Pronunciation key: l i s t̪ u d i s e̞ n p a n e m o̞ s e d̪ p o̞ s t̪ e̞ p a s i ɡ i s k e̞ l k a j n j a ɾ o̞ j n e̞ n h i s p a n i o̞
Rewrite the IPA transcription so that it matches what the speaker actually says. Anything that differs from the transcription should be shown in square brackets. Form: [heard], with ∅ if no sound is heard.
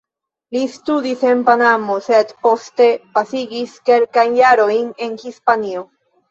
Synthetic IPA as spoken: l i s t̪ u d i s e̞ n p a n [a] m o̞ s e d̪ p o̞ s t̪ e̞ p a s i ɡ i s k e̞ l k a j n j a ɾ o̞ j n e̞ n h i s p a n i o̞